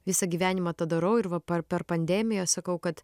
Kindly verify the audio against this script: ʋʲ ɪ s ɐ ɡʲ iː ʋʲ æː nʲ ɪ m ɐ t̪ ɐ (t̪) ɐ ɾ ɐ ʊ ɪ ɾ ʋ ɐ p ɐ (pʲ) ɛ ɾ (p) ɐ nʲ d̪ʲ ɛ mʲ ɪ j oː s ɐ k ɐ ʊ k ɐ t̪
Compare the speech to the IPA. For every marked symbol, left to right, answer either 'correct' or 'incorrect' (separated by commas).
incorrect, correct, correct